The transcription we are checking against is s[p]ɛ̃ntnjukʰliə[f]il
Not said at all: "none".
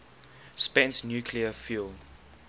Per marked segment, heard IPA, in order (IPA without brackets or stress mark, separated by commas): p, f